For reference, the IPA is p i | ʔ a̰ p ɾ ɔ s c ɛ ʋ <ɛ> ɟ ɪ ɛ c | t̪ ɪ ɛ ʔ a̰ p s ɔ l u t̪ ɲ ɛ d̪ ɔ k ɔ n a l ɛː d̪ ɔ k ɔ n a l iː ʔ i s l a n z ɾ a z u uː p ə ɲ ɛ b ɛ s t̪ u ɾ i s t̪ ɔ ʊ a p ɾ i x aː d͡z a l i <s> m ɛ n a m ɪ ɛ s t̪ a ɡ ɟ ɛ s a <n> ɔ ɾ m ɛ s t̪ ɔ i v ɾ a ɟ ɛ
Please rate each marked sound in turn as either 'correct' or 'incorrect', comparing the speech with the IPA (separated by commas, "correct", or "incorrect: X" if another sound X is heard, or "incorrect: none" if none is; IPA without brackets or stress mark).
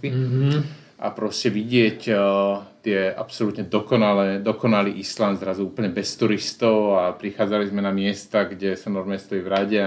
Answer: incorrect: i, incorrect: z, correct